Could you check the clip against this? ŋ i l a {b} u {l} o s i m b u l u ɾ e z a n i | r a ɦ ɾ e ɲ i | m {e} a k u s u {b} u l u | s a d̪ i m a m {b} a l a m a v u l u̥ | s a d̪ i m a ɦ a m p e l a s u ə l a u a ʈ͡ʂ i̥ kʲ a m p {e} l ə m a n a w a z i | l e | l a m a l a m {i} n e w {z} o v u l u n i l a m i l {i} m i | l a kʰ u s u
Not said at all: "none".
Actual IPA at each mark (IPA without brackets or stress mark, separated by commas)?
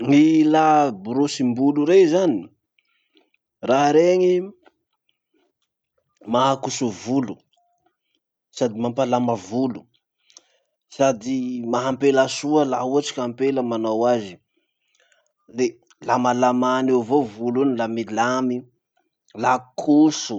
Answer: b, ɾ, a, v, p, e, a, v, a